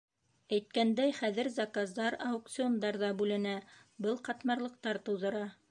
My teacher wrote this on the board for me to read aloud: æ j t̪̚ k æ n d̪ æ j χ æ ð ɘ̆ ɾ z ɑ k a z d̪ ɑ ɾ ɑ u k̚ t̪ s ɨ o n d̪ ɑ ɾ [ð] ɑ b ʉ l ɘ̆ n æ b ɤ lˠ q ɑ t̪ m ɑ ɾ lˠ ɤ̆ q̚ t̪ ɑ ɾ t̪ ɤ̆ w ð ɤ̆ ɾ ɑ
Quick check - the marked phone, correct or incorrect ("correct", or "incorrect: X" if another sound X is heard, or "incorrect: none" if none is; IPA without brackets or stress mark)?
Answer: correct